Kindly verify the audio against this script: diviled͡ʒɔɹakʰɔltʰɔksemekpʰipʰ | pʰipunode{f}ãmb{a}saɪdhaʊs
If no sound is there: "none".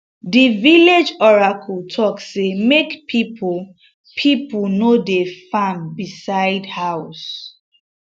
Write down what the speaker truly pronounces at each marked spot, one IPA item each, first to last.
f, i

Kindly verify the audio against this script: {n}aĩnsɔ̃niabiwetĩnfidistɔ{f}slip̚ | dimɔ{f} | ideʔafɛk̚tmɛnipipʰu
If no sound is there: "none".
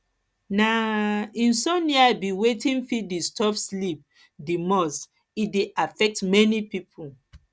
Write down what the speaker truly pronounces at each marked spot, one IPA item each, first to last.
n, f, s

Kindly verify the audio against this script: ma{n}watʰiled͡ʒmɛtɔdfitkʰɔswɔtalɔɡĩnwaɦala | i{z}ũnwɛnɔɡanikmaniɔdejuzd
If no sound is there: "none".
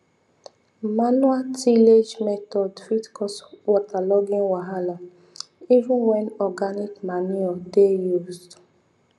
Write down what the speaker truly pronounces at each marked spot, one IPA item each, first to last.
n, v

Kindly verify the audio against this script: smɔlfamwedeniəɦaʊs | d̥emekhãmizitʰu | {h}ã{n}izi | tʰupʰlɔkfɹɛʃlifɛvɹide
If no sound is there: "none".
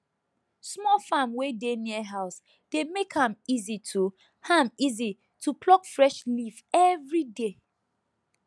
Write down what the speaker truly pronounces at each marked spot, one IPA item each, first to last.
h, m

